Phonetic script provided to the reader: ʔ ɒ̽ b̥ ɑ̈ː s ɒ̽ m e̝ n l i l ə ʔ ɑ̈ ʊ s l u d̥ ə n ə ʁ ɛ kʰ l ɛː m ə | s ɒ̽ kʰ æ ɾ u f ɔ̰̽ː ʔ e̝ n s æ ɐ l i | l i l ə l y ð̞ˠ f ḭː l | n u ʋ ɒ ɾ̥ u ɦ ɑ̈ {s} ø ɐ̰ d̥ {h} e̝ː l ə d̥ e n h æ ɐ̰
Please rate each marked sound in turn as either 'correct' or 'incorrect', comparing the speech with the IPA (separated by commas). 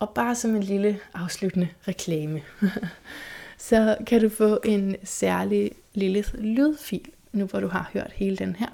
incorrect, correct